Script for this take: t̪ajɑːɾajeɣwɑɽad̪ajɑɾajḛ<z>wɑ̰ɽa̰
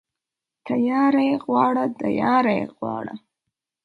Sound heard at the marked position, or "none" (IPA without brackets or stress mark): ɣ